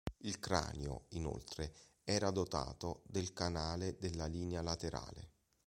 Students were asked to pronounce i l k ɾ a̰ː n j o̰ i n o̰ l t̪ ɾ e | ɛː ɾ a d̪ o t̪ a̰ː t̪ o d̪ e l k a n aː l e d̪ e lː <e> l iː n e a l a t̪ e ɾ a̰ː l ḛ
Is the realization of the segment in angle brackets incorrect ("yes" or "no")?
yes